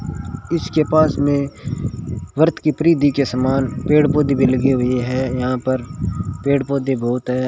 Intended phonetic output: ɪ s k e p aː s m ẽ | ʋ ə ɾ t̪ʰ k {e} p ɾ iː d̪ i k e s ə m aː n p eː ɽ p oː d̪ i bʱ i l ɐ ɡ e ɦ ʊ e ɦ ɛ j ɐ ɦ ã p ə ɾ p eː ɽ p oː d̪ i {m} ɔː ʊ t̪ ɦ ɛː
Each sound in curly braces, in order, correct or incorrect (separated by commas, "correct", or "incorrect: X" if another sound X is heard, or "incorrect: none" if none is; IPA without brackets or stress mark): incorrect: i, incorrect: b